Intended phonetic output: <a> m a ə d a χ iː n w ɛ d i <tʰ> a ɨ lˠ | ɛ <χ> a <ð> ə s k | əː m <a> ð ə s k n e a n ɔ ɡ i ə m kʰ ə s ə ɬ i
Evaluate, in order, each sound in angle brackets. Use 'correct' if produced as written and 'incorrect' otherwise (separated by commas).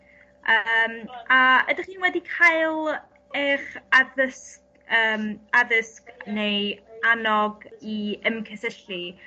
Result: incorrect, incorrect, correct, correct, correct